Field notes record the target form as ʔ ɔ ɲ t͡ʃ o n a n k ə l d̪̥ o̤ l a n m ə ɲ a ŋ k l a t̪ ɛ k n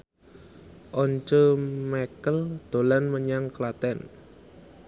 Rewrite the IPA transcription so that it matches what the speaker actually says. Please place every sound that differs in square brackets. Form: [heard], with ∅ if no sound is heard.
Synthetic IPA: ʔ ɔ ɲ t͡ʃ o [m] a [∅] k ə l d̪̥ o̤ l a n m ə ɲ a ŋ k l a t̪ ɛ [∅] n